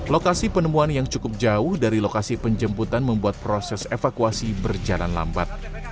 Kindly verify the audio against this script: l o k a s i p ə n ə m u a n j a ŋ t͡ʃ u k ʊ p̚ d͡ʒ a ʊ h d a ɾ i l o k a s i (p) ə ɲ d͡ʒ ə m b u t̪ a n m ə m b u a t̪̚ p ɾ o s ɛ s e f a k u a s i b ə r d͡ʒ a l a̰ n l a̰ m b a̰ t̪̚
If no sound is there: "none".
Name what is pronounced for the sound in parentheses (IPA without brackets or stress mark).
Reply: p